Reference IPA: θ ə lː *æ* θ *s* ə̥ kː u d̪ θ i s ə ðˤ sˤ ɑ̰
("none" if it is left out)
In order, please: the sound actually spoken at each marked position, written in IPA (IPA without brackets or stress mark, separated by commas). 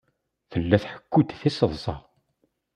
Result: æ, ħ